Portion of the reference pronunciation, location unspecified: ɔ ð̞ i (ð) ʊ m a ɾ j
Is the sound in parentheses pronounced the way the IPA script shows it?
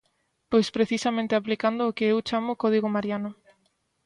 no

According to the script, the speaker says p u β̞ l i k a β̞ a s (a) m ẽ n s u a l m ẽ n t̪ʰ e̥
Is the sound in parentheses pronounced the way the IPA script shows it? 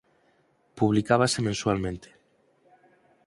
no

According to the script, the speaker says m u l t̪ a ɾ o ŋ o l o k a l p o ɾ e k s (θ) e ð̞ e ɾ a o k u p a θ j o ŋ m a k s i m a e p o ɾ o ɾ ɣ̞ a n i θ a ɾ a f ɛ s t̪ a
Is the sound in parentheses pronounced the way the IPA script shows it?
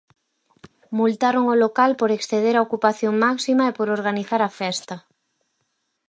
yes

